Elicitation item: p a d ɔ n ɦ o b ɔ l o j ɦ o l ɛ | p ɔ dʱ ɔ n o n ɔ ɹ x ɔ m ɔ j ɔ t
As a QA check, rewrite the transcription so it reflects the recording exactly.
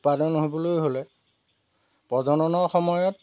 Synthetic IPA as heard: p a d ɔ n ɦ o b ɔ l o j ɦ o l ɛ | p ɔ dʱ ɔ n ɔ n ɔ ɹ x ɔ m ɔ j ɔ t